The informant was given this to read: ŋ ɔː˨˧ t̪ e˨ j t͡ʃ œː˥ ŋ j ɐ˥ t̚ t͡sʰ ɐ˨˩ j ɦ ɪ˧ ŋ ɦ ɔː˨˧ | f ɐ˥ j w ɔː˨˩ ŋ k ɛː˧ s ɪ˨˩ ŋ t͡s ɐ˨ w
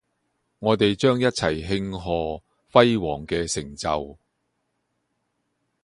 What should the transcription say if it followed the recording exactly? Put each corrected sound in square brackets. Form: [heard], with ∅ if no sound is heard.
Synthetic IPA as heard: ŋ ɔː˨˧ t̪ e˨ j t͡ʃ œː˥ ŋ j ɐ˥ t̚ t͡sʰ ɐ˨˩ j ɦ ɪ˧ ŋ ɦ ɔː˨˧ | f ɐ˥ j w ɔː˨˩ ŋ k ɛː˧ s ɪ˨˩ ŋ t͡s ɐ˨ w